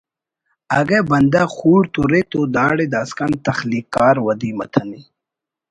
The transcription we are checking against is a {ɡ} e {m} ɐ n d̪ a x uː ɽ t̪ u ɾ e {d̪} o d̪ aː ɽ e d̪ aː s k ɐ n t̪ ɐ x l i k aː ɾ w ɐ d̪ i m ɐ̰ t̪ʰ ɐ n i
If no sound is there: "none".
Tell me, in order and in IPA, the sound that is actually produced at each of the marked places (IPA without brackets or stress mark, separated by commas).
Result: ɡ, b, t̪